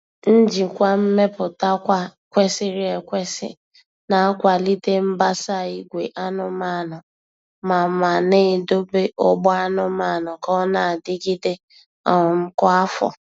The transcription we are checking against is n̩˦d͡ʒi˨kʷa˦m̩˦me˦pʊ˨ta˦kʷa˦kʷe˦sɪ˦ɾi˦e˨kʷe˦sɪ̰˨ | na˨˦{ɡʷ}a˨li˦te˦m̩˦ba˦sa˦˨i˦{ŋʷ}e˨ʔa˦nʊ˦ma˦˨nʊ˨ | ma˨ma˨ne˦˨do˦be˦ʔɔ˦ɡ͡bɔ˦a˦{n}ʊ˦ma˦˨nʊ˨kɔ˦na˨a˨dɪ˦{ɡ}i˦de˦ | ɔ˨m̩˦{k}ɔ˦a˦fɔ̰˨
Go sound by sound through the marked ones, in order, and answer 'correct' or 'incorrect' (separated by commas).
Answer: incorrect, incorrect, correct, correct, correct